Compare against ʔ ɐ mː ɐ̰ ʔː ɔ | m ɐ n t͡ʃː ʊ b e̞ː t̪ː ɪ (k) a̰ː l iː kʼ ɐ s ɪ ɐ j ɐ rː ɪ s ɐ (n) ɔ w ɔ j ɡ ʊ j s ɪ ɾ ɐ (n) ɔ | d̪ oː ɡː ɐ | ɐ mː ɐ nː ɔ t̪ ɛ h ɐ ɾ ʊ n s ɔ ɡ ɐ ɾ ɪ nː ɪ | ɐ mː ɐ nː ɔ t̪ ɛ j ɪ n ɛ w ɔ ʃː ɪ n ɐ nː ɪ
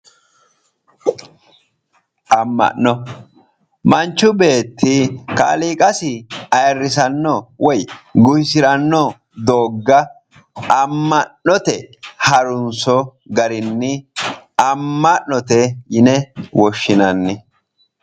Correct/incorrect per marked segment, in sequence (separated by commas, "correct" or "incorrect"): correct, incorrect, incorrect